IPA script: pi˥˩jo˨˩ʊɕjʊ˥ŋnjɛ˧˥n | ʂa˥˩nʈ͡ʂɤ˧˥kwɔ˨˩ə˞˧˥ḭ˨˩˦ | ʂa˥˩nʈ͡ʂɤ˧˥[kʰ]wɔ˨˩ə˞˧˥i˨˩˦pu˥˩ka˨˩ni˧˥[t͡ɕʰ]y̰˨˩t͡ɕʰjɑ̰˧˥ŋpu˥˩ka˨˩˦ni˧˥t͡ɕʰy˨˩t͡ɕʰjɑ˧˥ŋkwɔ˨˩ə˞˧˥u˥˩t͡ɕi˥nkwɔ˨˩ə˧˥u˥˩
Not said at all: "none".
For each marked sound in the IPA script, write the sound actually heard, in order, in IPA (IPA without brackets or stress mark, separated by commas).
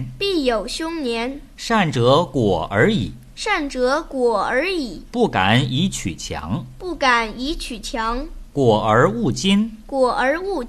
k, t͡ɕʰ